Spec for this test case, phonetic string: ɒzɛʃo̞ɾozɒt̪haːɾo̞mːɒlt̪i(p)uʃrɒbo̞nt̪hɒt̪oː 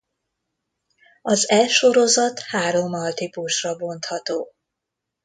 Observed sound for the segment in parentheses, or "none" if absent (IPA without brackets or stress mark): p